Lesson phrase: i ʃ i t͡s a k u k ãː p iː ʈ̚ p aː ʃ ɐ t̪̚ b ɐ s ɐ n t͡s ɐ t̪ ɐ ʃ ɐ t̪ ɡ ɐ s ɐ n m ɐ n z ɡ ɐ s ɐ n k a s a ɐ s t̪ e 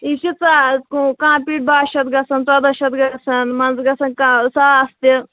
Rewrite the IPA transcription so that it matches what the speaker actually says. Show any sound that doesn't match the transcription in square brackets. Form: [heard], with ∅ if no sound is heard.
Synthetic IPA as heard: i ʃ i t͡s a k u k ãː p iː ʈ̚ [b] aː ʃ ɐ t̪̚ [ɡ] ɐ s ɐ n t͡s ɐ [d̪] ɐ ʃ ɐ t̪ ɡ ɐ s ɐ n m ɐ n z ɡ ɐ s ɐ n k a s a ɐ s t̪ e